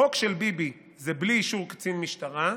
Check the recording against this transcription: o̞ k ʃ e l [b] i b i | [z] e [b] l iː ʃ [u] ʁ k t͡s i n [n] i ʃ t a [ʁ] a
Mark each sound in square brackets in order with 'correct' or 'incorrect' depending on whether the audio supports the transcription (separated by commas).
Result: correct, correct, correct, correct, incorrect, correct